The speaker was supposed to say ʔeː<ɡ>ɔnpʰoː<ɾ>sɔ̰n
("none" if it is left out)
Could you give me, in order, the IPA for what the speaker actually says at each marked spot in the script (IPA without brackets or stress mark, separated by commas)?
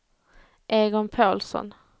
ɡ, l